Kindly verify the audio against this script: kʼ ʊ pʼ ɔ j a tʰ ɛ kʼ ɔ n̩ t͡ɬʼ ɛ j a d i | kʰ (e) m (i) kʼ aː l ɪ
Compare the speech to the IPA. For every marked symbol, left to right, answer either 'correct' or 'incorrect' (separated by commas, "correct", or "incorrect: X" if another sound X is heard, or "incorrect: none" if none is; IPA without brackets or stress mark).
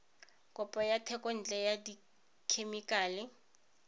correct, correct